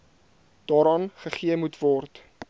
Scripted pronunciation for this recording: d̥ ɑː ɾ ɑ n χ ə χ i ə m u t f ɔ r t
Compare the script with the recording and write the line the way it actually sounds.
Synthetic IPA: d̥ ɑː ɾ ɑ n χ ə χ i ə m u t v ɔ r t